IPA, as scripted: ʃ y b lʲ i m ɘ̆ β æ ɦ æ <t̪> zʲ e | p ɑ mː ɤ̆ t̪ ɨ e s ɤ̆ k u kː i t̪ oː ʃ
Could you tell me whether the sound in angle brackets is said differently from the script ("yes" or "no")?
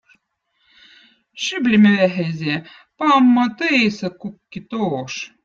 yes